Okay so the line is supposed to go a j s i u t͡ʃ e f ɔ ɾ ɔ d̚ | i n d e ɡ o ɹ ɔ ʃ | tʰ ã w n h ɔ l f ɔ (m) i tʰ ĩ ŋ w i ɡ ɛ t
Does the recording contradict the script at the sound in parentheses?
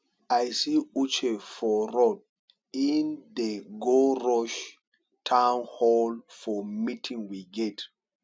no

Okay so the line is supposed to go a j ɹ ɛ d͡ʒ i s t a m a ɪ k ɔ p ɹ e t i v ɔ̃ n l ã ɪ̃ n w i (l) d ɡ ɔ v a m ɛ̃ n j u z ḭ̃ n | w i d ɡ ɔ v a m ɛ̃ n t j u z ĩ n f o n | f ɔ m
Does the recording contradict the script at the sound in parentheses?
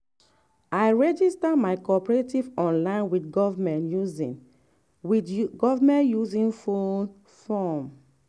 yes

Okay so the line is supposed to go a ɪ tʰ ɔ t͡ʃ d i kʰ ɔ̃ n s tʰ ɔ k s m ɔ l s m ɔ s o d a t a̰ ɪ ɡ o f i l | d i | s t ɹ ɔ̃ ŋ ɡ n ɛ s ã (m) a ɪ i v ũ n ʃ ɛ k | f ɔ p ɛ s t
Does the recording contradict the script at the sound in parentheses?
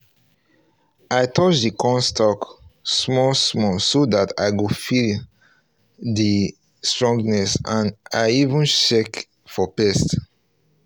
yes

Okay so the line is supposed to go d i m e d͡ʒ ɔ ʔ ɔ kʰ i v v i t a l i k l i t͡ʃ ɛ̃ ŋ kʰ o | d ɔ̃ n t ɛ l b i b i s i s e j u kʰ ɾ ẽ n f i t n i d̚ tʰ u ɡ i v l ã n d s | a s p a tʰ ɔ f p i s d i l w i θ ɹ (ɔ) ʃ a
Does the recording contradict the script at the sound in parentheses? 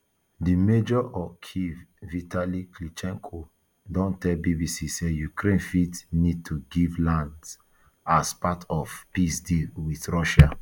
no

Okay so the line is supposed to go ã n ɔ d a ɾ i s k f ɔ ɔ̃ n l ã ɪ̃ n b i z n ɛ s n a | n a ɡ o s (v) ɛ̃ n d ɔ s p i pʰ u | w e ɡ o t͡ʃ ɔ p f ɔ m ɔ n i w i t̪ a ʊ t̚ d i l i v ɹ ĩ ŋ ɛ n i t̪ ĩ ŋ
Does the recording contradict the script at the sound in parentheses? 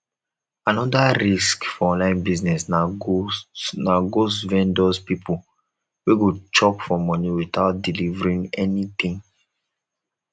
no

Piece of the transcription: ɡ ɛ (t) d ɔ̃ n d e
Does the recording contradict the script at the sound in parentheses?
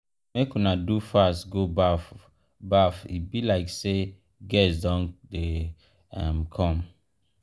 yes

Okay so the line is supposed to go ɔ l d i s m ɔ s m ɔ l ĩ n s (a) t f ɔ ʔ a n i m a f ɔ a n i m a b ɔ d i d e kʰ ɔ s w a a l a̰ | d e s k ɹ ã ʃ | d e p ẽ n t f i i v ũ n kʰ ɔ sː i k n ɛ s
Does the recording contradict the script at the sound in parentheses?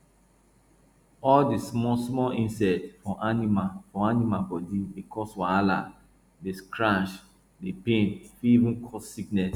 yes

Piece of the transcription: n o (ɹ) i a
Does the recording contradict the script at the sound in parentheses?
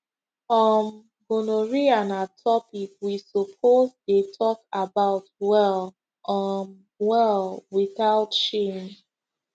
no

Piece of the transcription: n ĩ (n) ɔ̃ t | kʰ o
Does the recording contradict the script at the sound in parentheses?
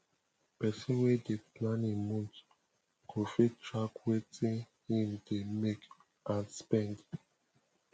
yes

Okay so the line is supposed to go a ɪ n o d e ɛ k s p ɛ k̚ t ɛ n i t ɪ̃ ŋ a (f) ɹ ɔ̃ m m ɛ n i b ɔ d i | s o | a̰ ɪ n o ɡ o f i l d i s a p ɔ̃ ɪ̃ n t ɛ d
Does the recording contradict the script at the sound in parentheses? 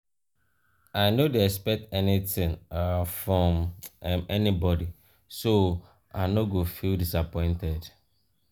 no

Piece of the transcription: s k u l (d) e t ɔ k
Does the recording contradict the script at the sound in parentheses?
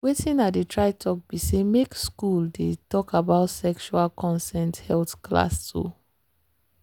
no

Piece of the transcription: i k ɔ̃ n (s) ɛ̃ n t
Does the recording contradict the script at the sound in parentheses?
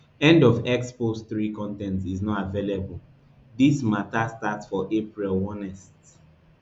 yes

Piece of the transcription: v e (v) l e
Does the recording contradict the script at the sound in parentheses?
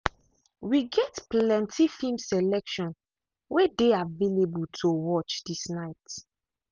yes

